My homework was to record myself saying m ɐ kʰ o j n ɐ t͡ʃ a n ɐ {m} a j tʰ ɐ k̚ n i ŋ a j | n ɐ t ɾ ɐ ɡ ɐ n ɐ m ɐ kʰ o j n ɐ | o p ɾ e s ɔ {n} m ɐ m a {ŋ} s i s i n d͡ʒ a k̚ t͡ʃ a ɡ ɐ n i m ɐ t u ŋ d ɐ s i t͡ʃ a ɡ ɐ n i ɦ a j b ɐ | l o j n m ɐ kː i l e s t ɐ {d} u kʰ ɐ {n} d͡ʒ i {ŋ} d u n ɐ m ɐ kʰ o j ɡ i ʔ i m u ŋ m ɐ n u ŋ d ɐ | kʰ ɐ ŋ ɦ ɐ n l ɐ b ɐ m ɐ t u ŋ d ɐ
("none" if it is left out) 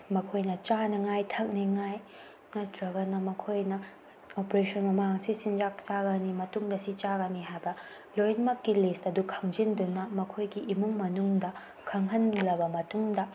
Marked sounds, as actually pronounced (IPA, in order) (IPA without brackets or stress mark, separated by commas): ŋ, n, ŋ, d, ŋ, n